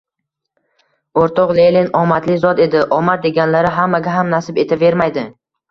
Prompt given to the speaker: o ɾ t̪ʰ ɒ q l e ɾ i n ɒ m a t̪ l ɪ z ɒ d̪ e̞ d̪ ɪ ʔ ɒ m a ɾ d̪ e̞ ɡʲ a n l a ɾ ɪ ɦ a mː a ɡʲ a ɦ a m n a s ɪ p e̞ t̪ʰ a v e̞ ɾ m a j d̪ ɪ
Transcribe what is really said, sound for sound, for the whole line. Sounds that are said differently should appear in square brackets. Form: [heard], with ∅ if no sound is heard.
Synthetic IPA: o ɾ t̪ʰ ɒ q l e [l] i n ɒ m a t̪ l ɪ z ɒ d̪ e̞ d̪ ɪ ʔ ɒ m a ɾ d̪ e̞ ɡʲ a n l a ɾ ɪ ɦ a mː a ɡʲ a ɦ a m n a s ɪ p e̞ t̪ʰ a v e̞ ɾ m a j d̪ ɪ